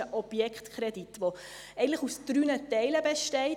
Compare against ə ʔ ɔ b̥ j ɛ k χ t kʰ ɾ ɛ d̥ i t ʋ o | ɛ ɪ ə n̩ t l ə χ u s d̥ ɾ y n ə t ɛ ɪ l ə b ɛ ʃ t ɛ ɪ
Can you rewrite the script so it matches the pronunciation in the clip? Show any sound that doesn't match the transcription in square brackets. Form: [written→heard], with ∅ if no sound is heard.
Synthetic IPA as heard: ə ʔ ɔ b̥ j ɛ k χ t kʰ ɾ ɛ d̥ i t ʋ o | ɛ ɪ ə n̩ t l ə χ u s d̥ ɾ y n ə t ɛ ɪ l ə b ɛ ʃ t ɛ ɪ

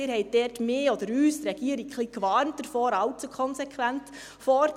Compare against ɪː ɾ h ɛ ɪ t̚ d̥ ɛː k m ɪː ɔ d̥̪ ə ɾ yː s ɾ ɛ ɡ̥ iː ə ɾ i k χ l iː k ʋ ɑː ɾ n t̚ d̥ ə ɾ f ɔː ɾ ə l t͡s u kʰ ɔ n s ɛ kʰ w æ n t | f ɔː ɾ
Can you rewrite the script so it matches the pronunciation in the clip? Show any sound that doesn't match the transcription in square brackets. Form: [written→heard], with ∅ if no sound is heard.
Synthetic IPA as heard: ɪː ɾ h ɛ ɪ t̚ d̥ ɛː [k→t] m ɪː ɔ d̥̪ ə ɾ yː s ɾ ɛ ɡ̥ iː ə ɾ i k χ l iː k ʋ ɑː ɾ n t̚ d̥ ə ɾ f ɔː ɾ [ə→ɑ] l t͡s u kʰ ɔ n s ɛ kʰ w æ n t | f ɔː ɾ

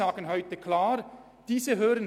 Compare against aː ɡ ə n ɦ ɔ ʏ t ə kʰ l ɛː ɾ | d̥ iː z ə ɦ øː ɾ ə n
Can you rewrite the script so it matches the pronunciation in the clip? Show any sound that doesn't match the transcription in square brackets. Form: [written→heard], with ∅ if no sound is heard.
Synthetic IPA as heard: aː ɡ ə n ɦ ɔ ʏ t ə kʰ l [ɛː→aː] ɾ | d̥ iː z ə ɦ øː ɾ ə n

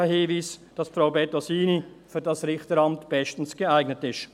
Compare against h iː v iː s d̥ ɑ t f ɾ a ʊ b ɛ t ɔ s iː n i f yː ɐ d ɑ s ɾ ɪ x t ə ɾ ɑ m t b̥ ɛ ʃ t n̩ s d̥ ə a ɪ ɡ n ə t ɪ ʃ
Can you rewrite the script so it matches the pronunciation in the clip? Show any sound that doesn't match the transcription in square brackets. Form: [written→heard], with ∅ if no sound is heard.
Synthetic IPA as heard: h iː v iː s d̥ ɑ [t→s] f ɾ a ʊ b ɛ t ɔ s iː n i f yː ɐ d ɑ s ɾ ɪ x t ə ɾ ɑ m t b̥ ɛ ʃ t n̩ s [d̥→ɡ̥] ə a ɪ ɡ n ə t ɪ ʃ

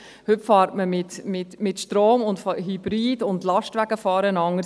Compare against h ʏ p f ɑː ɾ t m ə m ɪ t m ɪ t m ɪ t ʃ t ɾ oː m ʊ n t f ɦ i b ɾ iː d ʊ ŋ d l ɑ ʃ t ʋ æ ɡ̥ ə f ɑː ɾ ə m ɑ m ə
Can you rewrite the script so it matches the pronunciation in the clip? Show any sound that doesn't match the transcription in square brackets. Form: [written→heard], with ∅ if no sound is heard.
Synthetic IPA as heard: h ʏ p f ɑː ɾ t m ə m ɪ t m ɪ t m ɪ t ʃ t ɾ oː m ʊ n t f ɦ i b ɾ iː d ʊ [ŋ→n] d l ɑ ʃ t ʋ æ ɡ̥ ə f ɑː ɾ ə [m→n] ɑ [m→ŋ] ə

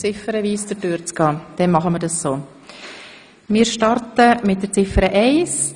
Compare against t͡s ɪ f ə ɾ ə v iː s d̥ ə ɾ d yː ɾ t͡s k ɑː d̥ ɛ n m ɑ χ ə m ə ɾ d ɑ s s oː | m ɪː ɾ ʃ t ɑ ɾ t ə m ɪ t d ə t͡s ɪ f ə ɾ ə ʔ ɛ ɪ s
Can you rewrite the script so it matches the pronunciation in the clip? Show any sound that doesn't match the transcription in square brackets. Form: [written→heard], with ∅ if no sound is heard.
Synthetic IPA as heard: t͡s ɪ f ə ɾ ə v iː s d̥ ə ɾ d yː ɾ t͡s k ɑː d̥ ɛ n m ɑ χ ə m ə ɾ d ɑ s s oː | m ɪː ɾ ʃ t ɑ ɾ t ə m ɪ t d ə t͡s ɪ f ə ɾ ə ʔ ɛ ɪ s

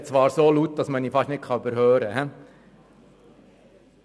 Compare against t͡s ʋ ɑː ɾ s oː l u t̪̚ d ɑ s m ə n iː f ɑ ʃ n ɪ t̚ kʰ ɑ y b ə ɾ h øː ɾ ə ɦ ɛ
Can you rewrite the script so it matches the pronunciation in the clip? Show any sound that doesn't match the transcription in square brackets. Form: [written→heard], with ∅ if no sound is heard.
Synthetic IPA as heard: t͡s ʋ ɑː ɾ s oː l u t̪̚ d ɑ s m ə n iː f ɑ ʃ n ɪ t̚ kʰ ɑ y b ə ɾ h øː ɾ ə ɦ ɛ

